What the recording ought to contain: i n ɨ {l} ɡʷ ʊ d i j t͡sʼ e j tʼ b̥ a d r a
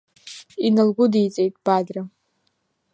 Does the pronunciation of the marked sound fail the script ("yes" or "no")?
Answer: no